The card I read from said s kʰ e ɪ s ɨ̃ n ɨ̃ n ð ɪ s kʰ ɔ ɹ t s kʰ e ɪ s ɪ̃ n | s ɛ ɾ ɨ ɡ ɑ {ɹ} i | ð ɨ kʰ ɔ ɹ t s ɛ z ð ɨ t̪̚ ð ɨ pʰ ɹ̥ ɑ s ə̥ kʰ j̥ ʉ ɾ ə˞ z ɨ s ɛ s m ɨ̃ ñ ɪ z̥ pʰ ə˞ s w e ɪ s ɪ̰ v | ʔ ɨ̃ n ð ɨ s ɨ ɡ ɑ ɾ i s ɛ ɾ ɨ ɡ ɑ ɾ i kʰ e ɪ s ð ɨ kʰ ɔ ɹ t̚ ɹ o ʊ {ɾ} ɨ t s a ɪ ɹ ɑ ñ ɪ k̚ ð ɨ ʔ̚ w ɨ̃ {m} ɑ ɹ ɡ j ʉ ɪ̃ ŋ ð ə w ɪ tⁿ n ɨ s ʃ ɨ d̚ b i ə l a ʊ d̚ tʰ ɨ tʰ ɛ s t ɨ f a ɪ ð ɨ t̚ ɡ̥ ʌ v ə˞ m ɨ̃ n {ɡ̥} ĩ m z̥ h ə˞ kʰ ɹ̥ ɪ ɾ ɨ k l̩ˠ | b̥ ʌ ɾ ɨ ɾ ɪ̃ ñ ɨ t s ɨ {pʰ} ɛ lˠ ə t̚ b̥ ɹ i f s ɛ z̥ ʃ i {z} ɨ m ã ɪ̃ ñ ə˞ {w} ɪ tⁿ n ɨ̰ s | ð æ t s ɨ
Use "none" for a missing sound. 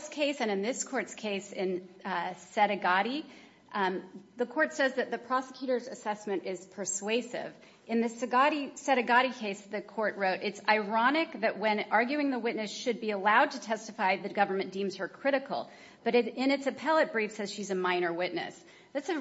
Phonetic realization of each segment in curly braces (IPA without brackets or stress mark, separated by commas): ɾ, ɾ, n, d̥, pʰ, z, w